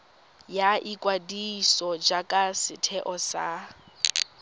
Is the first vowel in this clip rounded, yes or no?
no